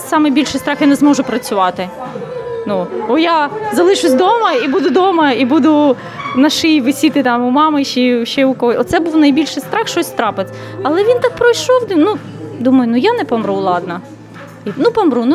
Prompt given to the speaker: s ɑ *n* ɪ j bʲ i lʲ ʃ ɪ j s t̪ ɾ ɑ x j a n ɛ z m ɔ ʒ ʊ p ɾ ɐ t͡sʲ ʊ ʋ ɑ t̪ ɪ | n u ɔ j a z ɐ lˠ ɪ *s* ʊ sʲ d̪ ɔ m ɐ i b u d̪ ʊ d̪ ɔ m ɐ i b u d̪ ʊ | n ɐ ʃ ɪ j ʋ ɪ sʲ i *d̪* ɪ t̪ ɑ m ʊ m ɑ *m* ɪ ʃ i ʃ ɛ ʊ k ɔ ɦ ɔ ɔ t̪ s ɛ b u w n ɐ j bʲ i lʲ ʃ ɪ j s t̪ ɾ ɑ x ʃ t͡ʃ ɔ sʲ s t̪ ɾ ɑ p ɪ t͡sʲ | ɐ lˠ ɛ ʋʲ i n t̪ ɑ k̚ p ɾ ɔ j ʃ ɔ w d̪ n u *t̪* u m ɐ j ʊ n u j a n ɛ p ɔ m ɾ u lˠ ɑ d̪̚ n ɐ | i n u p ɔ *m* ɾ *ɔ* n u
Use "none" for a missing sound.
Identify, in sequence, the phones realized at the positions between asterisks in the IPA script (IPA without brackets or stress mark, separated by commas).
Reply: m, ʃ, t̪, m, d̪, m, u